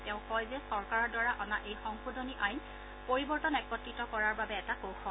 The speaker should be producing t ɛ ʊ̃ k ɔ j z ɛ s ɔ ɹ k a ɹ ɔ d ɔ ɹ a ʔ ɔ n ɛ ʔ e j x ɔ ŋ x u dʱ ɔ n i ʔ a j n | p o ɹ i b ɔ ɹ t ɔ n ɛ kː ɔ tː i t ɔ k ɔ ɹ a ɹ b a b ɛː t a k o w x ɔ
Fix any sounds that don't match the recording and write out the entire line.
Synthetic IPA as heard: t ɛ ʊ̃ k ɔ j z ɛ s ɔ ɹ k a ɹ ɔ d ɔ ɹ a ʔ ɔ n a ʔ e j x ɔ ŋ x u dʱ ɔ n i ʔ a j n | p o ɹ i b ɔ ɹ t ɔ n ɛ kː ɔ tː i t ɔ k ɔ ɹ a ɹ b a b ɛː t a k o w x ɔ